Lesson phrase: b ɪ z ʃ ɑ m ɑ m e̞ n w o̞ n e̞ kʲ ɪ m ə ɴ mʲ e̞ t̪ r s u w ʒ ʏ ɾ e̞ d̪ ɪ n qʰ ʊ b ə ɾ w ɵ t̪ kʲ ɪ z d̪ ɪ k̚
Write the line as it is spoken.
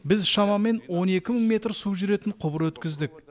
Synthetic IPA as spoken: b ɪ z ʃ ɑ m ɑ m e̞ n w o̞ n e̞ kʲ ɪ m ə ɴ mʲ e̞ t̪ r s u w ʒ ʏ ɾ e̞ t̪ ɪ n qʰ ʊ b ə ɾ w ɵ t̪ kʲ ɪ z d̪ ɪ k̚